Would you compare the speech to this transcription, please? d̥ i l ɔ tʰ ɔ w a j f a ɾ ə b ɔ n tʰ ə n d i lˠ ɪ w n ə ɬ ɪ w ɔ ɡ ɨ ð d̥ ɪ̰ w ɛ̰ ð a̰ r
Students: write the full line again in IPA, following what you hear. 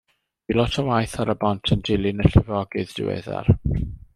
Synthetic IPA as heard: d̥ i l ɔ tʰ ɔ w a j θ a ɾ ə b ɔ n tʰ ə n d ɪ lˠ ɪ n ə ɬ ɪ v ɔ ɡ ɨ ð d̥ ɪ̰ w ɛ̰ ð a̰ r